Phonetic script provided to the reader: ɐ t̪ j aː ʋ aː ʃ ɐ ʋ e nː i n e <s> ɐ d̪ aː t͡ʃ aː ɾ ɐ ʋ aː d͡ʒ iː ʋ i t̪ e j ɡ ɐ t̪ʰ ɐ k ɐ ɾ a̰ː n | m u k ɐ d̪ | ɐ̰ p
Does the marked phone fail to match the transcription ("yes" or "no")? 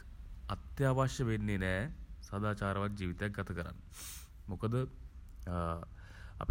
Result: no